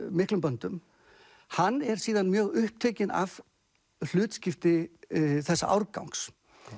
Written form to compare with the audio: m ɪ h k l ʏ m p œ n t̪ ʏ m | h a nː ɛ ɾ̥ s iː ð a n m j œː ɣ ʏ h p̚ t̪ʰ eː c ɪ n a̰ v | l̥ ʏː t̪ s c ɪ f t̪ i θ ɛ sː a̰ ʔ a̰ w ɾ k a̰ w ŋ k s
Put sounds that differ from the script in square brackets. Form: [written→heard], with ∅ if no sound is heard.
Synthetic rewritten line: m ɪ h k l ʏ m p œ n t̪ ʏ m | h a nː ɛ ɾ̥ s iː ð a n m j œː ɣ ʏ h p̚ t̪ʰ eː c ɪ n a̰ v | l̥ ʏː t̪ s c ɪ f t̪ [i→ɪ] θ ɛ sː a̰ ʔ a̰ w ɾ k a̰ w ŋ k s

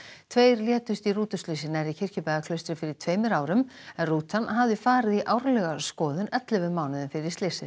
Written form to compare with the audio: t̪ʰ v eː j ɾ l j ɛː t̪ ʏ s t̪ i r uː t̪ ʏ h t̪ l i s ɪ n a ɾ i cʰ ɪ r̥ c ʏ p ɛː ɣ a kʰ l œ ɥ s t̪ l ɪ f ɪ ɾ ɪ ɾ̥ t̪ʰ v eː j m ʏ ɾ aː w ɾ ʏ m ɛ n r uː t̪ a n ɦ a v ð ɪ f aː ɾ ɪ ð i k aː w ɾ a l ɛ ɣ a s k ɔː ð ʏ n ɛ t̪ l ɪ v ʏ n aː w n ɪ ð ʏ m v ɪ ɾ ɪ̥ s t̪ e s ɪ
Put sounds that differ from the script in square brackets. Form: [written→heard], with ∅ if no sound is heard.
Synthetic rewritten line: t̪ʰ v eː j ɾ l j ɛː t̪ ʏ s t̪ i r uː t̪ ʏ [h→s] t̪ l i s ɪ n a ɾ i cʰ ɪ r̥ c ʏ p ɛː ɣ a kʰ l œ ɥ s t̪ [l→ɾ] ɪ f ɪ ɾ ɪ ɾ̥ t̪ʰ v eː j m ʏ ɾ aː w ɾ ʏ m ɛ n r uː t̪ a n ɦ a v ð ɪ f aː ɾ ɪ ð i [k→ʔ] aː w ɾ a l ɛ ɣ a s k ɔː ð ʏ n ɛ t̪ l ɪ v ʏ [n→m] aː w n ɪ ð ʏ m [v→f] ɪ ɾ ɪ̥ s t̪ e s ɪ

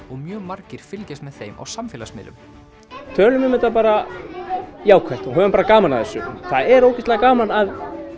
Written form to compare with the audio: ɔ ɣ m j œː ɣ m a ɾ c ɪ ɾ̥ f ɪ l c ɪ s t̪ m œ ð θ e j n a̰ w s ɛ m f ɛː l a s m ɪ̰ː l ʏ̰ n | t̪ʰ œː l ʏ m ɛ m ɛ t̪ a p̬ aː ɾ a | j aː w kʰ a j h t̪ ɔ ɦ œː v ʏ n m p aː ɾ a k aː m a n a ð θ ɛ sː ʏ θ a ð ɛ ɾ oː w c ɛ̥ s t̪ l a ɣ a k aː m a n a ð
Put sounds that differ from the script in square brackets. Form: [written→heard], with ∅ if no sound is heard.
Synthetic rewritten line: ɔ ɣ m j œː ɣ m a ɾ c ɪ ɾ̥ f ɪ l c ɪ s t̪ m [œ→ɛ] ð θ e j [n→m] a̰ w s [ɛ→a] m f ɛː l a s m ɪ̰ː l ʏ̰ [n→m] | t̪ʰ œː l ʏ m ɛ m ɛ t̪ a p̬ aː ɾ a | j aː w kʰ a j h t̪ ɔ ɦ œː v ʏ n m p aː ɾ a k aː m a n a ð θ ɛ sː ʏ θ a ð ɛ ɾ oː w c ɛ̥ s t̪ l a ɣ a k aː m a n a ð

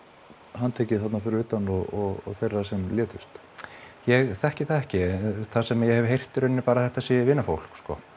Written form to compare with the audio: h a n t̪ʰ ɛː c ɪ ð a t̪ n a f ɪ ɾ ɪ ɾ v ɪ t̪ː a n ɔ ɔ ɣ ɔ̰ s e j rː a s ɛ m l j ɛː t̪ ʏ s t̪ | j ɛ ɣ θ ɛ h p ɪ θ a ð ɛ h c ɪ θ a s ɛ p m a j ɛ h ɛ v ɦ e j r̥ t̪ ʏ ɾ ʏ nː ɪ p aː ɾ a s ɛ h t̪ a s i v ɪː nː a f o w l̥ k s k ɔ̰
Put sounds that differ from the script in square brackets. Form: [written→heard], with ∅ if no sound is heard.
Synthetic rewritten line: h a n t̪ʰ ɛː c ɪ [ð→θ] a t̪ n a f ɪ ɾ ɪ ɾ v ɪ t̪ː a n ɔ ɔ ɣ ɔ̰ [s→θ] e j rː a s ɛ m l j ɛː t̪ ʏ s t̪ | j ɛ ɣ θ ɛ h [p→c] ɪ θ a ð ɛ h c ɪ θ a s ɛ [p→∅] m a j ɛ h ɛ v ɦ e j r̥ t̪ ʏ ɾ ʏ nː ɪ p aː ɾ a [s→θ] ɛ h t̪ a s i v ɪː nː a f o w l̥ k s k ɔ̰

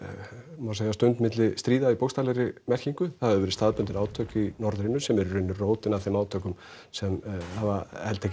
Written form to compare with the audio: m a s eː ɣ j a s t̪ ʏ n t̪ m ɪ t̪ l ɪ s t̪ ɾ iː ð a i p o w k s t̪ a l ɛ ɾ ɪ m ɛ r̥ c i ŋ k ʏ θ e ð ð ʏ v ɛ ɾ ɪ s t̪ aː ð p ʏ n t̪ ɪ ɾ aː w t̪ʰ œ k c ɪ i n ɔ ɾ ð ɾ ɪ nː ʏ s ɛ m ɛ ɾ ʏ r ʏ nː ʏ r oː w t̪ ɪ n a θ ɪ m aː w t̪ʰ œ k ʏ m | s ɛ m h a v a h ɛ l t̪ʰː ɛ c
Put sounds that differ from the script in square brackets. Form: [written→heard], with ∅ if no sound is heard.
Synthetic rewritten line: m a s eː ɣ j a s t̪ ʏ n t̪ m ɪ t̪ l ɪ s t̪ ɾ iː ð a i p o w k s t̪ a l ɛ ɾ ɪ m ɛ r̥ c i ŋ k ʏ θ [e→a] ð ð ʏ v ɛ ɾ ɪ s t̪ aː ð p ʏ n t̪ ɪ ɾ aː w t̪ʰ œ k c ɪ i n ɔ ɾ ð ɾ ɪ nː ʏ s ɛ m ɛ ɾ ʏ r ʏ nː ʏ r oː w t̪ ɪ n a θ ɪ m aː w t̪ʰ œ k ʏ m | s ɛ m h a v a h ɛ l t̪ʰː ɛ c

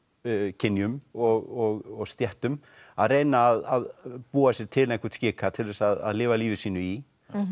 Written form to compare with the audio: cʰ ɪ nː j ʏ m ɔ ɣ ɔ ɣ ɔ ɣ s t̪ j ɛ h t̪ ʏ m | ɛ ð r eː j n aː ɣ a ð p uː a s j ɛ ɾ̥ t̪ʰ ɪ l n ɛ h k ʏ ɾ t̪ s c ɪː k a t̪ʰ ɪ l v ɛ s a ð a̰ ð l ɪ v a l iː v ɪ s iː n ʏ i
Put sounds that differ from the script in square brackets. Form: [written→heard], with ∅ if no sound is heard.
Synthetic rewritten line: cʰ ɪ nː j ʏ m ɔ ɣ ɔ ɣ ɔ ɣ s t̪ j ɛ h t̪ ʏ m | [ɛ→a] ð r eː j n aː [ɣ→ð] a ð p uː a s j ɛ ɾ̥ t̪ʰ ɪ l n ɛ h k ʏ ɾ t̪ s c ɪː k a t̪ʰ ɪ l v ɛ s a ð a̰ ð l [ɪ→ɪː] v a l iː v ɪ s iː n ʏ i

